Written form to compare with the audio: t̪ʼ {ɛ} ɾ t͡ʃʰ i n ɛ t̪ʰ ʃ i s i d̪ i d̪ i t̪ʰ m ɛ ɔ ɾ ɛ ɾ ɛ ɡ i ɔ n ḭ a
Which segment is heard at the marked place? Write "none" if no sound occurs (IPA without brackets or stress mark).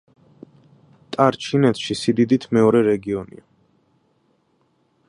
a